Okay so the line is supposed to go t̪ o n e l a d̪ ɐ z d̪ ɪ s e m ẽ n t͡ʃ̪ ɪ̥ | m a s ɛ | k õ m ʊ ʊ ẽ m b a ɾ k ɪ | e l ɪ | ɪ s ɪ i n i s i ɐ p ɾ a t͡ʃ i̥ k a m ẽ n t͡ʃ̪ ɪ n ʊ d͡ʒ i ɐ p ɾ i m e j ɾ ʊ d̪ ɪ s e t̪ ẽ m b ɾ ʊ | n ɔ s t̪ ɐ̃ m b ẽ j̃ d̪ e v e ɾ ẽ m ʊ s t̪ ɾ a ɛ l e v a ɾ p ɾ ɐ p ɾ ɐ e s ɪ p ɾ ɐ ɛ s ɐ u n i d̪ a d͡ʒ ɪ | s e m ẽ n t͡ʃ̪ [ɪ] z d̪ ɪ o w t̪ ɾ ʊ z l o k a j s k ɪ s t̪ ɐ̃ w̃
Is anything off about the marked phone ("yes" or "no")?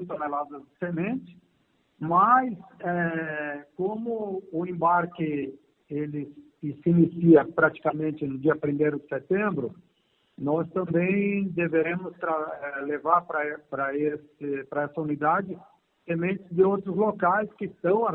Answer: no